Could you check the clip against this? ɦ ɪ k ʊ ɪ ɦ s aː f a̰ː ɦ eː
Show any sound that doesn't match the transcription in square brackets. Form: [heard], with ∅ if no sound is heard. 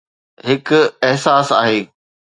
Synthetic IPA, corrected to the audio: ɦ ɪ k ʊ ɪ ɦ s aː [s] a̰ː ɦ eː